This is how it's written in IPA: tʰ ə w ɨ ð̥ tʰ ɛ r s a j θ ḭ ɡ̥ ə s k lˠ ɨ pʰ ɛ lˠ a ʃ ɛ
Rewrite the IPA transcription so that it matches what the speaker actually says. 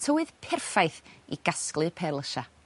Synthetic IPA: tʰ ə w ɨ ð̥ pʰ ɛ r f a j θ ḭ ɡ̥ a s k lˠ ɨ pʰ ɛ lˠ ə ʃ a